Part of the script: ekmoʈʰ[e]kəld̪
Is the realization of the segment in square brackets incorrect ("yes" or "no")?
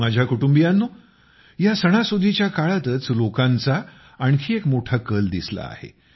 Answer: yes